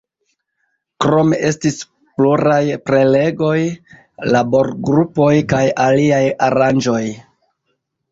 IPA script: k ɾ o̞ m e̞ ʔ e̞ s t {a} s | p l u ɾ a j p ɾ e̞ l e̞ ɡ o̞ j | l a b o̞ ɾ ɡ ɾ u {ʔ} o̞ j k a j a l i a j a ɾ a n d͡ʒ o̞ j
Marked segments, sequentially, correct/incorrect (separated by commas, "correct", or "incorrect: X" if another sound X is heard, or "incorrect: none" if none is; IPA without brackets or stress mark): incorrect: i, incorrect: p